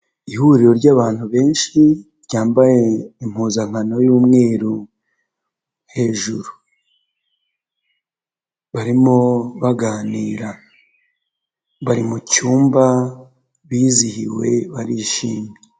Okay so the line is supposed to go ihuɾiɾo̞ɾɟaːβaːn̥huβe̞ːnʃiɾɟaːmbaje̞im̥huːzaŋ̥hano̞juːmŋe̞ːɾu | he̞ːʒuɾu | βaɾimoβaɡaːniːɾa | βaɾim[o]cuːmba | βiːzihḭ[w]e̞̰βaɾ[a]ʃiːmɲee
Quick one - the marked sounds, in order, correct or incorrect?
incorrect: u, correct, incorrect: i

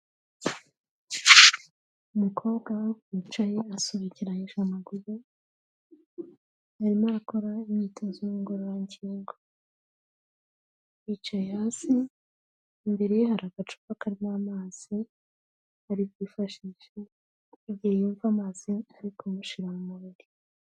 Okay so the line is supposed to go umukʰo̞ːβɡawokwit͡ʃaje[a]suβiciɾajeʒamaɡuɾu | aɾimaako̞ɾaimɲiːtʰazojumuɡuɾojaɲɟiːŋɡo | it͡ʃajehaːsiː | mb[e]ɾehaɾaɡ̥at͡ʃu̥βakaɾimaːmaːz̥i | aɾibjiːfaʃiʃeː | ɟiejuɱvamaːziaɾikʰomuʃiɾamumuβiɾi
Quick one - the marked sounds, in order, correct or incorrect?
correct, correct

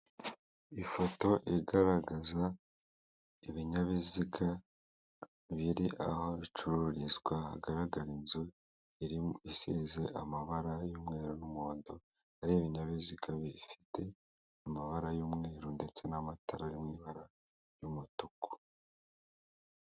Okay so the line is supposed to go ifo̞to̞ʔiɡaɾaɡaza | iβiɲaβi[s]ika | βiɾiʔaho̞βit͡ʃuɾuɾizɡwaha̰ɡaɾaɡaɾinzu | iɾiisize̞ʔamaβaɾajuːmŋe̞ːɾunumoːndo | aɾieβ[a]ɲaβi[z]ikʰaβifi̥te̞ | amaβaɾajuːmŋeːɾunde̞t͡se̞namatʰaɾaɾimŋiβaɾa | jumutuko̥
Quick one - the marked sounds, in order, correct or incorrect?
incorrect: z, incorrect: i, correct

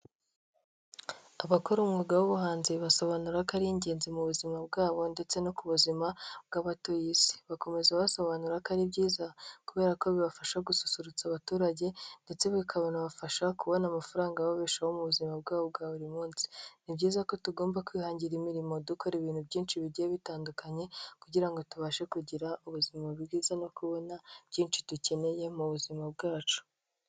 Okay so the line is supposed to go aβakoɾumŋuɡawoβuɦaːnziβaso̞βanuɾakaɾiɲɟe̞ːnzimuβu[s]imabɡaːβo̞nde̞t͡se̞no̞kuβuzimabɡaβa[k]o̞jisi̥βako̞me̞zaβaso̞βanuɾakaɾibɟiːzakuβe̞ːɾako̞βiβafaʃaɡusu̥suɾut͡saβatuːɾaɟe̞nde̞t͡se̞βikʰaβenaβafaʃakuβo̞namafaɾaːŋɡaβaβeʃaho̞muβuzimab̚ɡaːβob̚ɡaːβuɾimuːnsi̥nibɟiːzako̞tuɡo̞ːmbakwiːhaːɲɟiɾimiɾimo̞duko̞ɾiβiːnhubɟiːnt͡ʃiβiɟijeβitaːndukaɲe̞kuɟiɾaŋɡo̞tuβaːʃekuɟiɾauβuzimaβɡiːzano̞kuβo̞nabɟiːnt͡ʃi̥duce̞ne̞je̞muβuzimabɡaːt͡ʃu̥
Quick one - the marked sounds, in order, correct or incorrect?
incorrect: z, incorrect: t

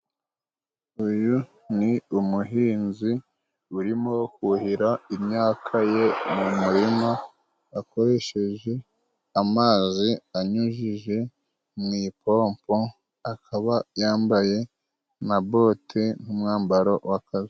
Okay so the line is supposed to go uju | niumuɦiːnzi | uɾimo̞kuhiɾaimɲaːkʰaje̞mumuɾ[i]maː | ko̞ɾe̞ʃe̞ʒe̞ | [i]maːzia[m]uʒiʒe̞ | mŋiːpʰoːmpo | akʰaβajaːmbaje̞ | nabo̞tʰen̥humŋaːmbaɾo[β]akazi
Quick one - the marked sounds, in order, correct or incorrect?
correct, incorrect: a, incorrect: ɲ, incorrect: w

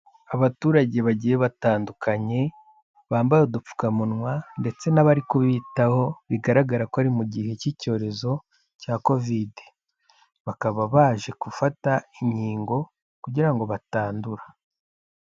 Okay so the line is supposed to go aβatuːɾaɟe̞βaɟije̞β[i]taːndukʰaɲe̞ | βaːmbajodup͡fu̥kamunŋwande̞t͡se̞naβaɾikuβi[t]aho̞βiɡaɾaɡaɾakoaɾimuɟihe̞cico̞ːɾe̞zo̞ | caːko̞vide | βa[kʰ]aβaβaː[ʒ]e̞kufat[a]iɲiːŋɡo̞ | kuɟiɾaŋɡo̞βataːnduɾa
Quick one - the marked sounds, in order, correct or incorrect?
incorrect: a, correct, incorrect: k, correct, correct

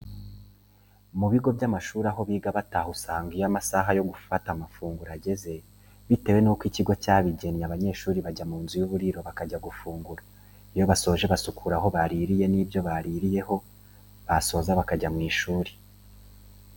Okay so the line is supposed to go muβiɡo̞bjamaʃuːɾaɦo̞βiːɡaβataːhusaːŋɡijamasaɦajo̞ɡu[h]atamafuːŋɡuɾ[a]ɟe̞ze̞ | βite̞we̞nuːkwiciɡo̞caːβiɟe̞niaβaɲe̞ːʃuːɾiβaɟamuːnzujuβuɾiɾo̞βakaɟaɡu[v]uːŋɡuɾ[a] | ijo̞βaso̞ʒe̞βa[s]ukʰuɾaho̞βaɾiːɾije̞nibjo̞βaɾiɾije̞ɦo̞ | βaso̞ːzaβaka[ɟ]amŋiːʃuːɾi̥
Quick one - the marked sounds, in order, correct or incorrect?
incorrect: f, correct, incorrect: f, correct, correct, correct

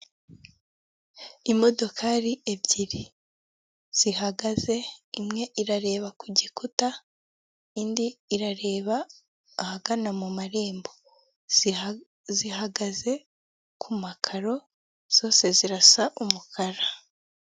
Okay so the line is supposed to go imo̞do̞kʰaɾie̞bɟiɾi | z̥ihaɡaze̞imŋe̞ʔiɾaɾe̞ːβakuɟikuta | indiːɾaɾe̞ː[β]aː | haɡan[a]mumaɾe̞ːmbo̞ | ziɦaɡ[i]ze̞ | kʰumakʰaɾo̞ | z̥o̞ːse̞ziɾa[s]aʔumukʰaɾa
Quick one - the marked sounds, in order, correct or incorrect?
correct, correct, incorrect: a, correct

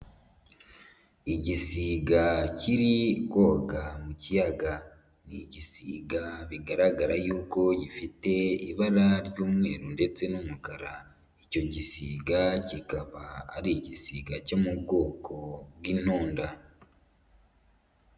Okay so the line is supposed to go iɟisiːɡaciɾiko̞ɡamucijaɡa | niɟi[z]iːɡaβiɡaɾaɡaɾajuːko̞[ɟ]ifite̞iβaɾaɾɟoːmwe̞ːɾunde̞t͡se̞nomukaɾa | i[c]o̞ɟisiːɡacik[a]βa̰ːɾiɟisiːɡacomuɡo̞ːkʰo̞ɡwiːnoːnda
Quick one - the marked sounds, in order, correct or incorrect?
incorrect: s, correct, correct, correct

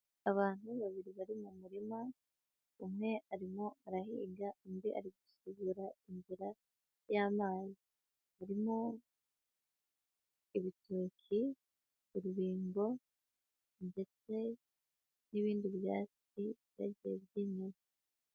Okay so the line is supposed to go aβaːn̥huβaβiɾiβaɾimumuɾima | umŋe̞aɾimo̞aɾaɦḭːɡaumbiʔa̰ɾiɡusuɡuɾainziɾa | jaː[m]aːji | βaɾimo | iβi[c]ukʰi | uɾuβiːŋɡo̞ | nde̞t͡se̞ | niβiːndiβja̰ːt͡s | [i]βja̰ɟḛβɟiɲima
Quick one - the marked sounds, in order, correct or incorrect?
correct, incorrect: t, correct

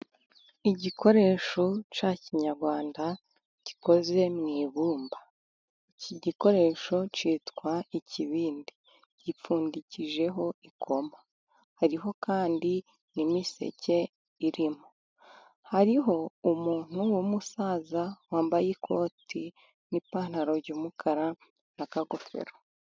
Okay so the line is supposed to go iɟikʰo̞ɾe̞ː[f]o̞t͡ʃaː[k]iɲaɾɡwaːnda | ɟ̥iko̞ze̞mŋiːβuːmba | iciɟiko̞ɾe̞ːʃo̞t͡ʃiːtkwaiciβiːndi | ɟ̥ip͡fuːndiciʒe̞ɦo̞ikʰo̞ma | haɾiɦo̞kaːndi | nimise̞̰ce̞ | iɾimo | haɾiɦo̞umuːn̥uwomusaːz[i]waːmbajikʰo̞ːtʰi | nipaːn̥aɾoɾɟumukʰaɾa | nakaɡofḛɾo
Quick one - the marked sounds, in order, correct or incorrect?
incorrect: ʃ, incorrect: c, incorrect: a

